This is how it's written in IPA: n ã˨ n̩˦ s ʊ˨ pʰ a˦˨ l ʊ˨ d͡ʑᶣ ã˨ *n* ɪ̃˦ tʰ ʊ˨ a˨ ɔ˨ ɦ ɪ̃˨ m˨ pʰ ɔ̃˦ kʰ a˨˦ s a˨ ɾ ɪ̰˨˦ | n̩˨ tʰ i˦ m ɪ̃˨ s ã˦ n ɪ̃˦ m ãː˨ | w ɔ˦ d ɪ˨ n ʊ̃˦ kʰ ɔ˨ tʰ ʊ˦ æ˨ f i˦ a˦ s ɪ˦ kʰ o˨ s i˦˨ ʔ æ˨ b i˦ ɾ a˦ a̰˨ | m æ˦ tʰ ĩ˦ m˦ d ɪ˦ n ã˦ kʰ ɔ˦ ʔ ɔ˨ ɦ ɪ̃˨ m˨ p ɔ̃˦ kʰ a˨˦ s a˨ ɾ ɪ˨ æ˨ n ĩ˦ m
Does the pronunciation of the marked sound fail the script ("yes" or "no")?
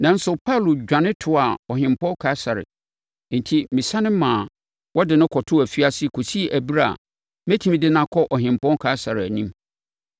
no